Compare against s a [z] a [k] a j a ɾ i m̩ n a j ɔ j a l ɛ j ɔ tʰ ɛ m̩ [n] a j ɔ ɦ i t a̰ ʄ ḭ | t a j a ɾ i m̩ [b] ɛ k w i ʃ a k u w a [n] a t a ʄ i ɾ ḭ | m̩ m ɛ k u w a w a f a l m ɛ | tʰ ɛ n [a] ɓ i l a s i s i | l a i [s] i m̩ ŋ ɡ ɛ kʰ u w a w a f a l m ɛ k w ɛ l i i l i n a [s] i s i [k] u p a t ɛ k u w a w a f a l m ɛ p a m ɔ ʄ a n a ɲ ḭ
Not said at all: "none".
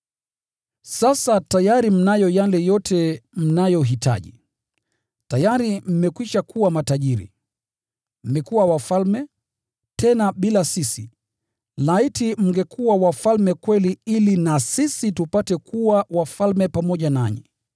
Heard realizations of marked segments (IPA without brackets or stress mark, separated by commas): s, t, n, m, m, a, t, s, t